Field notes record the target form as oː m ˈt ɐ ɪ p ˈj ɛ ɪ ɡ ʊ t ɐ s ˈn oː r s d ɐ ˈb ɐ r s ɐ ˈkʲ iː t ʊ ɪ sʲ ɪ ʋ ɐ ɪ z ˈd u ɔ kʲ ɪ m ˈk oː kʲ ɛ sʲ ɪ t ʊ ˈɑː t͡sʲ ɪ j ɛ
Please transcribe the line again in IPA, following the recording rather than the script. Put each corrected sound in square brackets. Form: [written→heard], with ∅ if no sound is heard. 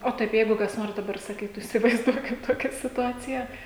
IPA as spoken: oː [m→∅] ˈt ɐ ɪ p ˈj ɛ ɪ ɡ ʊ [t→k] ɐ s ˈn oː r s d ɐ ˈb ɐ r s ɐ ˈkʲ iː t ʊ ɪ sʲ ɪ ʋ ɐ ɪ z ˈd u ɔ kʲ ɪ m [ˈk→ˈt] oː kʲ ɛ sʲ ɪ t ʊ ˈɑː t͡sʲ ɪ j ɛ